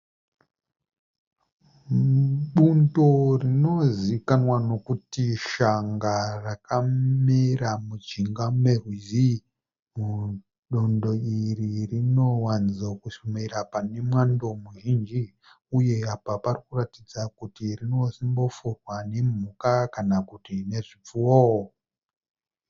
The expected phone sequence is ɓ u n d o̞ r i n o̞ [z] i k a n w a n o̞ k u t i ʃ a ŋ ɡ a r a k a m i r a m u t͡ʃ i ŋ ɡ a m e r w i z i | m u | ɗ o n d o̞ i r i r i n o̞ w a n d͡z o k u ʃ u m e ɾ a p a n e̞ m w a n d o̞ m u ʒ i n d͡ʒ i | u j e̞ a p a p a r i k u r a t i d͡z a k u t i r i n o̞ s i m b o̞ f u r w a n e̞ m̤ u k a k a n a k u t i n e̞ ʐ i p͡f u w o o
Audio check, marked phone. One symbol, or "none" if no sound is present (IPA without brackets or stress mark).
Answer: z